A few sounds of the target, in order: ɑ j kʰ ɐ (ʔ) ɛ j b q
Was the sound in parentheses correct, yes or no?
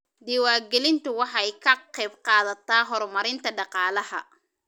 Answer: no